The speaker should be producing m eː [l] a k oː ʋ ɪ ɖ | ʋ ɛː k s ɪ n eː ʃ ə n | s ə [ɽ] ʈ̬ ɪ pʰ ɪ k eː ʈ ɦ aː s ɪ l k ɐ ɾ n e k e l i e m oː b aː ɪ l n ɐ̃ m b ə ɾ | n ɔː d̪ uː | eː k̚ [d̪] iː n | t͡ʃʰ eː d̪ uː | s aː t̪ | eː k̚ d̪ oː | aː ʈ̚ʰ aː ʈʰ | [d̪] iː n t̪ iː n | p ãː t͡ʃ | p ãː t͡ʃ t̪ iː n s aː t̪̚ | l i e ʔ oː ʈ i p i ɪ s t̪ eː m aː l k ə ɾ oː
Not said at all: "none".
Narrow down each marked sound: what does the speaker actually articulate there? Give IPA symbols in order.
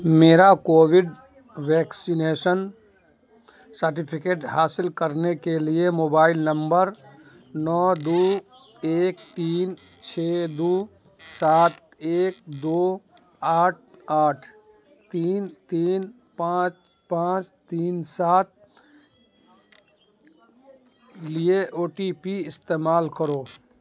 ɾ, ɾ, t̪, t̪

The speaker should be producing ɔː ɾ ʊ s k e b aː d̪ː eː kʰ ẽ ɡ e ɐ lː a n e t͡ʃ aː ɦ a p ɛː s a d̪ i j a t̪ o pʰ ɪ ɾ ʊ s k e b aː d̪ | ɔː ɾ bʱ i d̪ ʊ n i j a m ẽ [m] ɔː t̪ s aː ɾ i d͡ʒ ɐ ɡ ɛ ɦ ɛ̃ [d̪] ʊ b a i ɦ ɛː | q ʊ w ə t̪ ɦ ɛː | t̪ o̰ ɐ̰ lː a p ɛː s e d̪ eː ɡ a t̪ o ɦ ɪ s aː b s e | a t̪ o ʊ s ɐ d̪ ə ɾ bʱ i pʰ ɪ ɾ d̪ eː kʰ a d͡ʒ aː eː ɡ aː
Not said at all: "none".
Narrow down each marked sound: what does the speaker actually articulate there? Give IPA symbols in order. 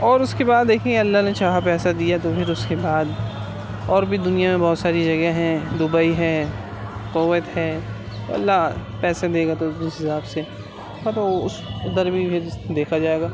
b, d̪

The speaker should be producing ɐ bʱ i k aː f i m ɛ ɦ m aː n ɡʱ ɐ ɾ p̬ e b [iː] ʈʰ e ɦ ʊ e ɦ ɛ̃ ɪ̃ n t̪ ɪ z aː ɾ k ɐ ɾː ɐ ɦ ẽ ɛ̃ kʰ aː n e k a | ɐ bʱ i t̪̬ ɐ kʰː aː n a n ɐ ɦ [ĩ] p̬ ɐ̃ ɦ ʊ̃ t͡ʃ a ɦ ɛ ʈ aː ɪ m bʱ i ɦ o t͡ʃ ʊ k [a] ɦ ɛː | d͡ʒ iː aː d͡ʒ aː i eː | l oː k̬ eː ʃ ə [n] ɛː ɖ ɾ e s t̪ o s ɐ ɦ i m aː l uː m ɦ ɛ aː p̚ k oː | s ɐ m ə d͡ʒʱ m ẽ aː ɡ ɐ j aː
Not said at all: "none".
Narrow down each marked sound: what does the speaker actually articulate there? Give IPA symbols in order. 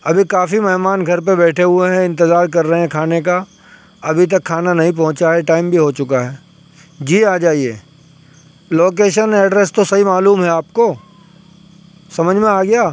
ɛː, ĩ, a, n

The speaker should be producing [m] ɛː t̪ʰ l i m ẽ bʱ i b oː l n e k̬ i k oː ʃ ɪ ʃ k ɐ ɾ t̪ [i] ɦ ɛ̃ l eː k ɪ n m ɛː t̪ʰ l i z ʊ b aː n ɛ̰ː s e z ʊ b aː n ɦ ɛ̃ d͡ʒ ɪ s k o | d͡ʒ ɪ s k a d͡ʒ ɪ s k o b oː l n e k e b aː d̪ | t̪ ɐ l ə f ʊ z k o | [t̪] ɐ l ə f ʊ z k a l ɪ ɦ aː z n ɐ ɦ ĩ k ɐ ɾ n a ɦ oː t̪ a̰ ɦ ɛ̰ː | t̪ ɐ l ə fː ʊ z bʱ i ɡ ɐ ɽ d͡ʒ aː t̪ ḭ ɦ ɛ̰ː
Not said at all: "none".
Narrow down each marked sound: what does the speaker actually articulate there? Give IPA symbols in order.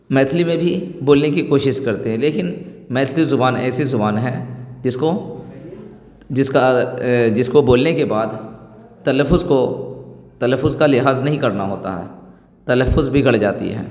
m, e, t̪

